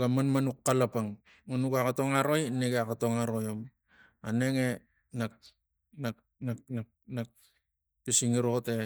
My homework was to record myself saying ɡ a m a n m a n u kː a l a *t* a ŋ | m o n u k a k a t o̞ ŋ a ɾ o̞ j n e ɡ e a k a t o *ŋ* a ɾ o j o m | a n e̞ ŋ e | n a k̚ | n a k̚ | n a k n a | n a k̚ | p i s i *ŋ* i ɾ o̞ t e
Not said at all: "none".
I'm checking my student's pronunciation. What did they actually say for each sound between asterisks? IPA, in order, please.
p, ŋ, ŋ

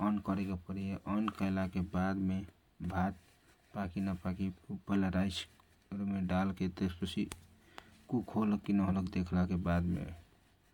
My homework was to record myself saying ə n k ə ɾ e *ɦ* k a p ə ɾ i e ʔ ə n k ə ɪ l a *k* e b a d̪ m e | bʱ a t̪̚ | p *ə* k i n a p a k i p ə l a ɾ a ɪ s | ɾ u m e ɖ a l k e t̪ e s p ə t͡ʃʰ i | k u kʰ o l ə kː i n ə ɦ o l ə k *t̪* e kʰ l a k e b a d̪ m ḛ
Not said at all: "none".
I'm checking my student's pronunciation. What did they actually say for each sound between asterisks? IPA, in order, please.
none, k, a, d̪

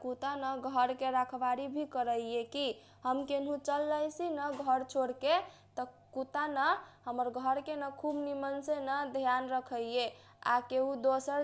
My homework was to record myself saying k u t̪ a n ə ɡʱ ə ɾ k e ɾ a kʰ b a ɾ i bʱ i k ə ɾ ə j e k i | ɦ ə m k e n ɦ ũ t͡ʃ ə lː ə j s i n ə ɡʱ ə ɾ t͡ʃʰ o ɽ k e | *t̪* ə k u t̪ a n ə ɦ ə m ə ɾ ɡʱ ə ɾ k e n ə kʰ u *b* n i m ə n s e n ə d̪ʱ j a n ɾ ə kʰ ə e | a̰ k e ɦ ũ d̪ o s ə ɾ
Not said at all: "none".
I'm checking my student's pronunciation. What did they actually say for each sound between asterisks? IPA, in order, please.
t̪, b

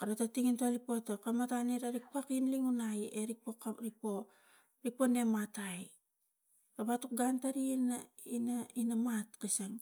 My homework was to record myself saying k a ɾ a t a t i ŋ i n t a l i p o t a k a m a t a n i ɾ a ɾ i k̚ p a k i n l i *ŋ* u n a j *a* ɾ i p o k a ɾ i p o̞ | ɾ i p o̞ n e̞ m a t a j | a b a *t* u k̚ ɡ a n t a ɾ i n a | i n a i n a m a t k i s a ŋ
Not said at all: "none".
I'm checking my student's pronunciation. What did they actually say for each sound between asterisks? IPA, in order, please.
ŋ, e, t

